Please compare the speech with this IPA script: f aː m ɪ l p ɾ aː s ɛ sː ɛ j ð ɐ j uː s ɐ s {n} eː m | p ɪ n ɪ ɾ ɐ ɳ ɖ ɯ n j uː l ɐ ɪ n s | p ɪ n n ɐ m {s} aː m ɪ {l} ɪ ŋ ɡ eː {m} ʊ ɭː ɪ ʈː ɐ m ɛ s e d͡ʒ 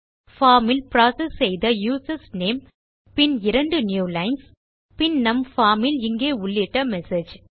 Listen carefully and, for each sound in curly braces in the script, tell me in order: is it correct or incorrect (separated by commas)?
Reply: correct, incorrect, correct, incorrect